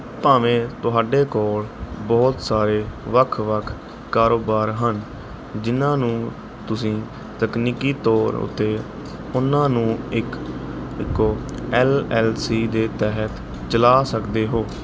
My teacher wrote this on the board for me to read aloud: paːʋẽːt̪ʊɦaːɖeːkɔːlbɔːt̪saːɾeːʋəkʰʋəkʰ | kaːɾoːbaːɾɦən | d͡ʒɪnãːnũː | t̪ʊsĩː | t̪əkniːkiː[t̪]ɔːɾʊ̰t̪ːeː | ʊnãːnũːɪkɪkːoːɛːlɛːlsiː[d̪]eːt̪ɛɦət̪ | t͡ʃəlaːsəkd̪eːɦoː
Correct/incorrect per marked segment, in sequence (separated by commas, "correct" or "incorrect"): correct, correct